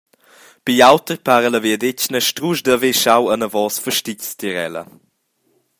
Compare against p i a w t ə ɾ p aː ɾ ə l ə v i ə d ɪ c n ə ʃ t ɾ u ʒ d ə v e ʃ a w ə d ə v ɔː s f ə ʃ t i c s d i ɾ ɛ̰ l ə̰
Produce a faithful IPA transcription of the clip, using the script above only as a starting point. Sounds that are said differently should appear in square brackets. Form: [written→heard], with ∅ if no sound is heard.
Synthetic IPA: p i a w t ə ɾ p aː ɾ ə l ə v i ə d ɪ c n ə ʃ t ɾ u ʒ d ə v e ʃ a w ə [d→n] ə v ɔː s f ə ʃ t i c s [d→t] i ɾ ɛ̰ l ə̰